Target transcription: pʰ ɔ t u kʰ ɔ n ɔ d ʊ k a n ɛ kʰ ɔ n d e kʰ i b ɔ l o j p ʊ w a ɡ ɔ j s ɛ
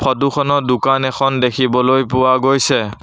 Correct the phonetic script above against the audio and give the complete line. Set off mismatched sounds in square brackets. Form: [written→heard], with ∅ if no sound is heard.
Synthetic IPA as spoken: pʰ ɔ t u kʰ ɔ n ɔ d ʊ k a n ɛ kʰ ɔ n d e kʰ i b ɔ l o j p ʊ w a ɡ [ɔ→o] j s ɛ

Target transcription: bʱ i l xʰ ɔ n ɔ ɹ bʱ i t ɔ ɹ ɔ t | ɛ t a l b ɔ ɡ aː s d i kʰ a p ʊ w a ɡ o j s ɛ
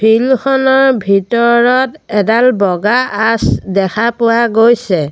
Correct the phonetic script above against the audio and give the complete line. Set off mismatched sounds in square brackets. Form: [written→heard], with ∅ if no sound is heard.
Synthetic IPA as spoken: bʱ i l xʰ ɔ n ɔ ɹ bʱ i t ɔ ɹ ɔ t | ɛ [t→d] a l b ɔ ɡ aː s d [i→ɛ] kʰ a p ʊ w a ɡ o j s ɛ

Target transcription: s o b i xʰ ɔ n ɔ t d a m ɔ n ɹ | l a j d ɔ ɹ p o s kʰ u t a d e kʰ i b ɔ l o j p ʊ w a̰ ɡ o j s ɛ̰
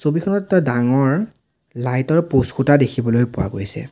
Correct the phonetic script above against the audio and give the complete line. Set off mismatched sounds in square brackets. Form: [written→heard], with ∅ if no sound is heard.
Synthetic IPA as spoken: s o b i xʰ ɔ n ɔ t d a [m→ŋ] ɔ [n→∅] ɹ | l a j [d→t] ɔ ɹ p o s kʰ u t a d e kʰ i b ɔ l o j p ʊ w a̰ ɡ o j s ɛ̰

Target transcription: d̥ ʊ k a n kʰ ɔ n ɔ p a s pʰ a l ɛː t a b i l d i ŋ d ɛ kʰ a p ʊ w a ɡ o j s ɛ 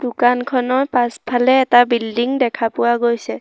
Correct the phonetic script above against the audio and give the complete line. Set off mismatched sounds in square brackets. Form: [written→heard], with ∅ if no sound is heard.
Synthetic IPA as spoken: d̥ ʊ k a n kʰ ɔ n ɔ p a s pʰ a l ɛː t a b i l d i ŋ d ɛ kʰ a p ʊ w a ɡ o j s ɛ

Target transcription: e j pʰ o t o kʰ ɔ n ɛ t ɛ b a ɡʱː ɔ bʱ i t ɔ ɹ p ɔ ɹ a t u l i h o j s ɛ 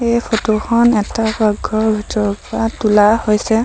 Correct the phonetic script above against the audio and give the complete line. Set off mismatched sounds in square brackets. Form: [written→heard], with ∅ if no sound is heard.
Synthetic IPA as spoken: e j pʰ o t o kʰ ɔ n ɛ t [ɛ→a] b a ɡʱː ɔ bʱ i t ɔ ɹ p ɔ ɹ a t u l [i→a] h o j s ɛ

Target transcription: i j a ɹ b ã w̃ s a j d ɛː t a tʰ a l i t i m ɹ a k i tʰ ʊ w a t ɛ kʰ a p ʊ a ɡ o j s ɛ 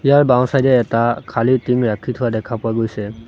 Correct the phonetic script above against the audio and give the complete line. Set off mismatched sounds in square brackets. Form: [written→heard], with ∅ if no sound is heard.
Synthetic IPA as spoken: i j a ɹ b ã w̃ s a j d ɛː t a [tʰ→kʰ] a l i t i m ɹ a [k→kʰ] i tʰ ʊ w a [t→d] ɛ kʰ a p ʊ a ɡ o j s ɛ

